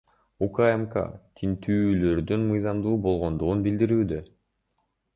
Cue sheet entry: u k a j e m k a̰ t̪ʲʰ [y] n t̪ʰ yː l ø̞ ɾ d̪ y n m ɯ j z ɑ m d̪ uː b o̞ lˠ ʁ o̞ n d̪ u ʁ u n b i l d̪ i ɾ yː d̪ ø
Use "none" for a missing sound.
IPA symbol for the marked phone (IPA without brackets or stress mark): i